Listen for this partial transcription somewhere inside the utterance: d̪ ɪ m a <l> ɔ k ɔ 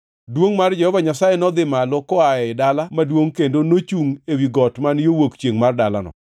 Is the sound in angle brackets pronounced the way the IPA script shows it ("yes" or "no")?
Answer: yes